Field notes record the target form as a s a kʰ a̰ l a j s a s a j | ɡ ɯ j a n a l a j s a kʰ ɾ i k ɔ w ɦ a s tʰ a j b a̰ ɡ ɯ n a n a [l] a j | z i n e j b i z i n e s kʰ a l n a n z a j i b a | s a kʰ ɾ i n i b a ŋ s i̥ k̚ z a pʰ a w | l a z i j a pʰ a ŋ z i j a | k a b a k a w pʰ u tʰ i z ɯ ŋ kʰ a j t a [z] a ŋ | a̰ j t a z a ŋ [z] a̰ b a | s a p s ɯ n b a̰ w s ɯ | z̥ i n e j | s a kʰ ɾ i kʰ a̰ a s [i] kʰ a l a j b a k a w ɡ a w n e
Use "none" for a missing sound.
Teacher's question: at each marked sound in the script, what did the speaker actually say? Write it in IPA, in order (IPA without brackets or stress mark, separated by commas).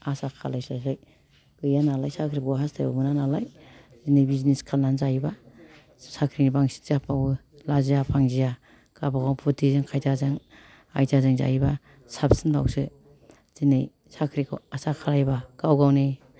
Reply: l, z, z, a